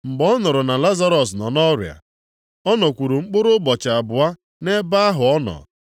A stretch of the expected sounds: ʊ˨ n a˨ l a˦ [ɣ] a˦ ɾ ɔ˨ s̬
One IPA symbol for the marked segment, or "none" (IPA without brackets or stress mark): z